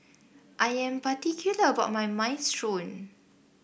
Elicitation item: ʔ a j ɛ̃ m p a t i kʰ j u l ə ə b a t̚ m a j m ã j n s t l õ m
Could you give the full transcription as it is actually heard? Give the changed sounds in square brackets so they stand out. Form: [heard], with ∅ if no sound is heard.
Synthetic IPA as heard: ʔ a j ɛ̃ m p a t i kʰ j u l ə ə b a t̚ m a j m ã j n s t [ɹ] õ [n]